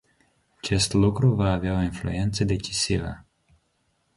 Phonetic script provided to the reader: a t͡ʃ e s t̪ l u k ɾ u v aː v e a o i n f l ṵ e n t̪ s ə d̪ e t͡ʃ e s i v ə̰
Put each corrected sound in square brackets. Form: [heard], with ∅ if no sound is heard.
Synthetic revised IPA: a t͡ʃ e s t̪ l u k ɾ u v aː v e a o i n f l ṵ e n t̪ s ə d̪ e t͡ʃ [i] s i v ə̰

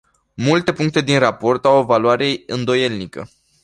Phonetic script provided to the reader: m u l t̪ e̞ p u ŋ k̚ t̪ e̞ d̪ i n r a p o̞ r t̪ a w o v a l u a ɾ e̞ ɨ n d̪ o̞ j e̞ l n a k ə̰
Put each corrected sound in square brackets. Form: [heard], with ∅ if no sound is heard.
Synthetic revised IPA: m u l t̪ e̞ p u ŋ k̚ t̪ e̞ d̪ i n r a p o̞ r t̪ a w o v a l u a ɾ e̞ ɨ n d̪ o̞ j e̞ l n [i] k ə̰

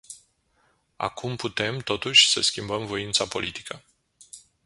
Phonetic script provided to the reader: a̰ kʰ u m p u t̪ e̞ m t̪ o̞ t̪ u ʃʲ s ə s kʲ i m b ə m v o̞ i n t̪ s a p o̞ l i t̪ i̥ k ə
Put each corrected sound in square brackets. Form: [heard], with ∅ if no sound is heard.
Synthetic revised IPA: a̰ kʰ u m p u t̪ e̞ m t̪ o̞ t̪ u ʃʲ s ə s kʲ i m b ə m v o̞ i n t̪ s a p o̞ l i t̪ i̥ k ə

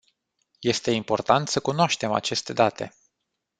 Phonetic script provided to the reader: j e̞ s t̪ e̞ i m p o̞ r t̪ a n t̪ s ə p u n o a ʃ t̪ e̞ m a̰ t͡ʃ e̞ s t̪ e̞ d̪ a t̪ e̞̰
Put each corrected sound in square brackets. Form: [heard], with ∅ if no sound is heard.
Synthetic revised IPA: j e̞ s t̪ e̞ i m p o̞ r t̪ a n t̪ s ə [k] u n o a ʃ t̪ e̞ m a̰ t͡ʃ e̞ s t̪ e̞ d̪ a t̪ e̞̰

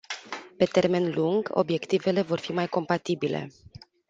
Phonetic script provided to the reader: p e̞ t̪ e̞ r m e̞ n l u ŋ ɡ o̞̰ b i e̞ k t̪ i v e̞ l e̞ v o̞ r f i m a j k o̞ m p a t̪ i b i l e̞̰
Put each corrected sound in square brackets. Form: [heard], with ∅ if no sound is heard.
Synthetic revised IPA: p e̞ t̪ e̞ r m e̞ n l u ŋ ɡ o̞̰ b [j] e̞ k t̪ i v e̞ l e̞ v o̞ r f i m a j k o̞ m p a t̪ i b i l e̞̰

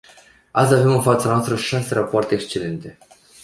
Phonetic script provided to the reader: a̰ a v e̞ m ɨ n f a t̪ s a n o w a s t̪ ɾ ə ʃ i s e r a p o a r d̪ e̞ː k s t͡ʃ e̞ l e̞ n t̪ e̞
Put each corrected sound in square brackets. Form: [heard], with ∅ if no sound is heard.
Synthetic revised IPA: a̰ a v e̞ m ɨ n f a t̪ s a n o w a s t̪ ɾ ə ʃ [a] s e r a p o a r [t̪] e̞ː k s t͡ʃ e̞ l e̞ n t̪ e̞

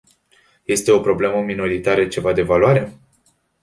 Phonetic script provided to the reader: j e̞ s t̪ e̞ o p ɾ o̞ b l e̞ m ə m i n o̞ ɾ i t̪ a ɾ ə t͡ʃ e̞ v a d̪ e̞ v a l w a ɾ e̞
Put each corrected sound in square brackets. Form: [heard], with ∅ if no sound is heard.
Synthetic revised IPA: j e̞ s t̪ e̞ o p ɾ o̞ b l e̞ m ə m i n o̞ ɾ i t̪ a ɾ ə t͡ʃ e̞ v a d̪ e̞ v a l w a ɾ e̞

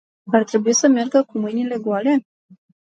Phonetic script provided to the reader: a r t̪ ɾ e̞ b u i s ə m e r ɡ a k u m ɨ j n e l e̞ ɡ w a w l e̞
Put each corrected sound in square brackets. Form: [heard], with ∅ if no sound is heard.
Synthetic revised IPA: a r t̪ ɾ e̞ b u i s ə m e r ɡ [ə] k u m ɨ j n [i] l e̞ ɡ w a [∅] l e̞

